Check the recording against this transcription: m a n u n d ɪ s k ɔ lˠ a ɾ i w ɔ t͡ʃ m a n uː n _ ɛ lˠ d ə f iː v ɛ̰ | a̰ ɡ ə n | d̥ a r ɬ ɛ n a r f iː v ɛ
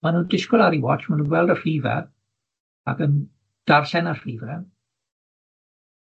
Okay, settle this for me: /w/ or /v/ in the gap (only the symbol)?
w